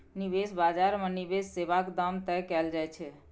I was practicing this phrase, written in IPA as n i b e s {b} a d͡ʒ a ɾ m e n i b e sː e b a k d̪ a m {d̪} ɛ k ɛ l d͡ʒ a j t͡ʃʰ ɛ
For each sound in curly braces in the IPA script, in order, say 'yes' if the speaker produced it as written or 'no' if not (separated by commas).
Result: yes, no